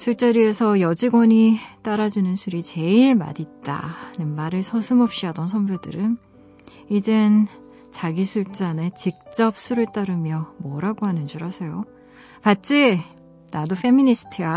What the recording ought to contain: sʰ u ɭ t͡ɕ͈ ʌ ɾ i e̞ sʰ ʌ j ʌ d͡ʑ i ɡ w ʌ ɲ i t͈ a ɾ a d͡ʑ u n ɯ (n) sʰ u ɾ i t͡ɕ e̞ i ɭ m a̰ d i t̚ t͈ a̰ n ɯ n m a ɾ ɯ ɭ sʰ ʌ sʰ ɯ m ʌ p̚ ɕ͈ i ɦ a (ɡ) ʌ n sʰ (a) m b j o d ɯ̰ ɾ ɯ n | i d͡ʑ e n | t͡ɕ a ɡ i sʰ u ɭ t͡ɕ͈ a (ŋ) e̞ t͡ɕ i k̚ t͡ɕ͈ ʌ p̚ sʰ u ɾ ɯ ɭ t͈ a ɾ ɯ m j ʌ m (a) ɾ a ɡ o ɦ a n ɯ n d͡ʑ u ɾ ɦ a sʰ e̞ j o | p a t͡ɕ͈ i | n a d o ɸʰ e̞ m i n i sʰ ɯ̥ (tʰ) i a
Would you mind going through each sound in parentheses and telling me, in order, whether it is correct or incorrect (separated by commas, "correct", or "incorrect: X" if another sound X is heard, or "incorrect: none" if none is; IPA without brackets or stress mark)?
correct, incorrect: d, incorrect: ʌ, incorrect: n, incorrect: ʌ, correct